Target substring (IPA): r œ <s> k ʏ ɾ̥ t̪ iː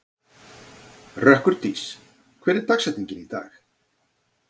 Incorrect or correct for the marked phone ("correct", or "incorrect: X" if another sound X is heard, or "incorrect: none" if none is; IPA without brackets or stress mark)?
incorrect: h